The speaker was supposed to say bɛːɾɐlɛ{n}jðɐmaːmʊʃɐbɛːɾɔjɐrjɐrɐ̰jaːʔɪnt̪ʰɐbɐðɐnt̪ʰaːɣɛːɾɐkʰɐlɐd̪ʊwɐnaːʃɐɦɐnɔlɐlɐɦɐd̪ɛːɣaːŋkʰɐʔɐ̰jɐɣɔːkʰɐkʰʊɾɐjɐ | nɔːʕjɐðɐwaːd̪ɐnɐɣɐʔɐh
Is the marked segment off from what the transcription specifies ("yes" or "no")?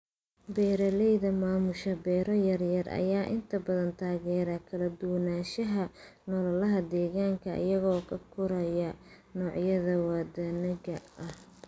yes